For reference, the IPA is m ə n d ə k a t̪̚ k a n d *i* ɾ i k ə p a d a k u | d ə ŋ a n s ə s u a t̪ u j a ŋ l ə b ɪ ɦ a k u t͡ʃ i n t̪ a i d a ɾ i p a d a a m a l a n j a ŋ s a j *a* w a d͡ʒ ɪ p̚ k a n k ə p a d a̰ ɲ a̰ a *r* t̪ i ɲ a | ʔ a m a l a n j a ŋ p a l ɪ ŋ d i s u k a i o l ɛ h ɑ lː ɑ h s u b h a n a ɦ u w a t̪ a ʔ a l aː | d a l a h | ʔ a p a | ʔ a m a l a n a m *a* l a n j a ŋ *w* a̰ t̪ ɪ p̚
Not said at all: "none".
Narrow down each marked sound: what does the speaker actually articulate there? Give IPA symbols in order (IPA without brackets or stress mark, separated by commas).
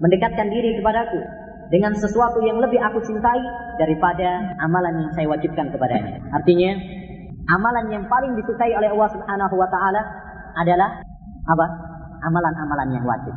i, a, r, a, w